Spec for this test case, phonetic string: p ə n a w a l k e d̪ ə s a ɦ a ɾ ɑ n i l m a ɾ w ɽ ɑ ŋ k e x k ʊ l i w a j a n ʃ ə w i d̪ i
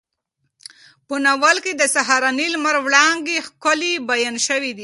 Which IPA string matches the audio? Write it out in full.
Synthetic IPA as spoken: p ə n a w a l k e d̪ ə s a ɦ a ɾ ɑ n i l m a ɾ w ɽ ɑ ŋ ɡ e x k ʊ l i b a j a n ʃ ə w i d̪ i